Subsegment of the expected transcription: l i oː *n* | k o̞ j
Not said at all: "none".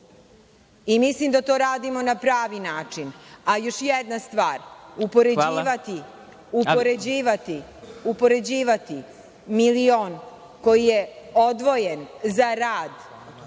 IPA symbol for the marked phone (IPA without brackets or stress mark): n